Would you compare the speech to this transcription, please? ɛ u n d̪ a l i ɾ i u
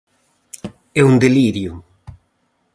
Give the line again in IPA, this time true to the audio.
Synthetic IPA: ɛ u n d̪ e l i ɾ j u